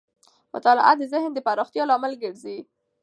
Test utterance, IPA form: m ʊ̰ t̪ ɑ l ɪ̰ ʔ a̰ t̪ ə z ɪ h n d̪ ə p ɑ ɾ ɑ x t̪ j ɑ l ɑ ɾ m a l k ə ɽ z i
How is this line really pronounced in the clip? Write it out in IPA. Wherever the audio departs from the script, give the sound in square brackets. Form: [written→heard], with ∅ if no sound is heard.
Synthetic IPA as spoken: m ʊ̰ t̪ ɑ l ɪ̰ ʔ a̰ [t̪→d̪] ə z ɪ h n d̪ ə p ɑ ɾ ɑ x t̪ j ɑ l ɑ [ɾ→∅] m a l [k→ɡ] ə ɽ z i